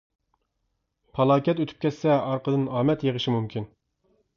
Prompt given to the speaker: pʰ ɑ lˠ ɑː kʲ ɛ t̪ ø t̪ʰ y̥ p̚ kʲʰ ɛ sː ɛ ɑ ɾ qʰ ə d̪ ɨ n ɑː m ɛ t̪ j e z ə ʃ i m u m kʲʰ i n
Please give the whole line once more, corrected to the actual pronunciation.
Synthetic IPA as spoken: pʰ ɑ lˠ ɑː kʲ ɛ t̪ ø t̪ʰ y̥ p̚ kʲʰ ɛ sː ɛ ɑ ɾ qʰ ə d̪ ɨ n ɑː m ɛ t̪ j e ʁ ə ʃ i m u m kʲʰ i n